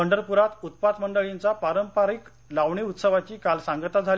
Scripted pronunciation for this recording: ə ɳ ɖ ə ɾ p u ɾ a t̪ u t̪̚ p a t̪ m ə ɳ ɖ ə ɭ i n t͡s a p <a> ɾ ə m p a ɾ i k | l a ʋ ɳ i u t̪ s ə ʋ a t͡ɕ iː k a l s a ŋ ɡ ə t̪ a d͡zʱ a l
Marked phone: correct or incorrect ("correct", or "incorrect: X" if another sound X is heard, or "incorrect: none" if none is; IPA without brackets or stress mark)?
correct